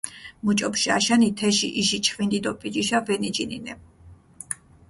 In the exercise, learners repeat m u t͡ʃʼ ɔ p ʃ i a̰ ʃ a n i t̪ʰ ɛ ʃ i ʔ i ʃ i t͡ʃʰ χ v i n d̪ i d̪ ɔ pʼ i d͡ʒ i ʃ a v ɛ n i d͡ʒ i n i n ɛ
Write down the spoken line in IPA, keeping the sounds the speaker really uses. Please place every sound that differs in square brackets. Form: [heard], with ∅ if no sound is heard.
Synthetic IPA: m u t͡ʃʼ ɔ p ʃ i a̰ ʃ a n i t̪ʰ ɛ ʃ i ʔ i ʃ i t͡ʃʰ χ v i n d̪ i d̪ ɔ pʼ i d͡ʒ i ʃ a v ɛ n i d͡ʒ i n i n ɛ